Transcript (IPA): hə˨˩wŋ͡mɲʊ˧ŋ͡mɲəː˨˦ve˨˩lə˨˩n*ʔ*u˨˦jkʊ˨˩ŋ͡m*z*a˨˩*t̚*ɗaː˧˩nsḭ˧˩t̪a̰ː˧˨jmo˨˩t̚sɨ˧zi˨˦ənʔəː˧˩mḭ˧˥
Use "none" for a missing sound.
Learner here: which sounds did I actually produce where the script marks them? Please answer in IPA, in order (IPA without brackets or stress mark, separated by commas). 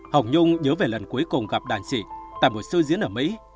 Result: k, ɣ, p̚